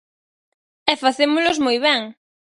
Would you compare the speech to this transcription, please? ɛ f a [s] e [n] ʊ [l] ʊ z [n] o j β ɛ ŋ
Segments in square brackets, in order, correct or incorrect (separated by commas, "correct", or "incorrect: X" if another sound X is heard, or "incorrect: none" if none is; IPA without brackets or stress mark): incorrect: θ, incorrect: m, correct, incorrect: m